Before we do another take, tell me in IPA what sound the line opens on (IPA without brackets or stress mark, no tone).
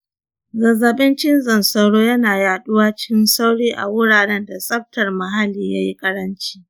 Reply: z